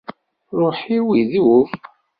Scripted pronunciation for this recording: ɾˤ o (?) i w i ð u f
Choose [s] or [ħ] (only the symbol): ħ